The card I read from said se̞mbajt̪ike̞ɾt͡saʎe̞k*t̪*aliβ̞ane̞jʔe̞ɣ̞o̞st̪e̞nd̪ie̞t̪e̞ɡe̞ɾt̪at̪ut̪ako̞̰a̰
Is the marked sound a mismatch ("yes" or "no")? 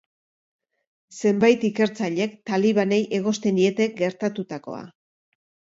no